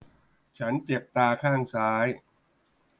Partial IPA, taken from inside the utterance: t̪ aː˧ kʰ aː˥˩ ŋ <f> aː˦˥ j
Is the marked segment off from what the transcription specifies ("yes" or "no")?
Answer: yes